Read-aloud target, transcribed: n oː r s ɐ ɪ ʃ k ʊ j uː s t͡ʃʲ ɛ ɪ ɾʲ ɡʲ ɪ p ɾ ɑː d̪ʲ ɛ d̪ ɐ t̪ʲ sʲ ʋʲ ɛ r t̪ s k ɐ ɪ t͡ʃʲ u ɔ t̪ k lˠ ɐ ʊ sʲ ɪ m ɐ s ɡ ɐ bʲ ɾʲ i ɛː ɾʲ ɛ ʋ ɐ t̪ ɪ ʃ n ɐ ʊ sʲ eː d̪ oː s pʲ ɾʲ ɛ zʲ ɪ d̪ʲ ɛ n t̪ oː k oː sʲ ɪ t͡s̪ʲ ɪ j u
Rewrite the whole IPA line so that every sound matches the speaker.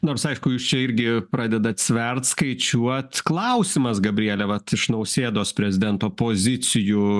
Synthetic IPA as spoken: n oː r s ɐ ɪ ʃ k ʊ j uː s t͡ʃʲ ɛ ɪ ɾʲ ɡʲ ɪ p ɾ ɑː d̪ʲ ɛ d̪ ɐ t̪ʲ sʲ ʋʲ ɛ r t̪ s k ɐ ɪ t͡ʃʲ u ɔ t̪ k lˠ ɐ ʊ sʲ ɪ m ɐ s ɡ ɐ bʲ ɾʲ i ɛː lʲ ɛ ʋ ɐ t̪ ɪ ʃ n ɐ ʊ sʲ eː d̪ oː s pʲ ɾʲ ɛ zʲ ɪ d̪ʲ ɛ n t̪ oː p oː zʲ ɪ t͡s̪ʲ ɪ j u